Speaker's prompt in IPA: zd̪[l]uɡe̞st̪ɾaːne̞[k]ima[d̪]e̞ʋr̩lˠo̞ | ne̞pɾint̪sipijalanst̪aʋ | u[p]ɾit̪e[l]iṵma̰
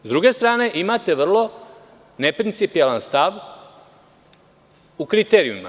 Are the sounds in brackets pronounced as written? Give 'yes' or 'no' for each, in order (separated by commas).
no, no, no, no, no